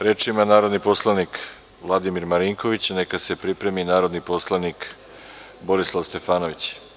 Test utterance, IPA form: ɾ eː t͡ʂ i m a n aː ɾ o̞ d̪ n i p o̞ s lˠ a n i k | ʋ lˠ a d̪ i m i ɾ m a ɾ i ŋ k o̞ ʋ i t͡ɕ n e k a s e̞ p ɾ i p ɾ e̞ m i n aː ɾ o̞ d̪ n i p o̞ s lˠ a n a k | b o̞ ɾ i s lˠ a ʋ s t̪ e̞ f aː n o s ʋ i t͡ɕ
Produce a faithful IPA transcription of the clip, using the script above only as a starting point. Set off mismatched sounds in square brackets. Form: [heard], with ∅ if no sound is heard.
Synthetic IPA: ɾ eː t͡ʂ i m a n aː ɾ o̞ d̪ n i p o̞ s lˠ a n i k | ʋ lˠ a d̪ i m i ɾ m a ɾ i ŋ k o̞ ʋ i t͡ɕ n e k a s e̞ p ɾ i p ɾ e̞ m i n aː ɾ o̞ d̪ n i p o̞ s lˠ a n [i] k | b o̞ ɾ i s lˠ a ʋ s t̪ e̞ f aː n o [∅] ʋ i t͡ɕ